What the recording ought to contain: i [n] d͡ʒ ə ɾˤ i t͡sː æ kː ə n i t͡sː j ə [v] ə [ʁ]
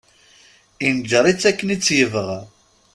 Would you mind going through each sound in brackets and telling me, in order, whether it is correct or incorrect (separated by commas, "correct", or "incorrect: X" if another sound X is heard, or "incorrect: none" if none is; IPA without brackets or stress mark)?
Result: correct, correct, correct